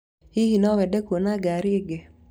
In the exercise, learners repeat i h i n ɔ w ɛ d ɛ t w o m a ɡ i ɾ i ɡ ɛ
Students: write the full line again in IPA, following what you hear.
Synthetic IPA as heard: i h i n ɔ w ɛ d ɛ k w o n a ɡ a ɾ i ɡ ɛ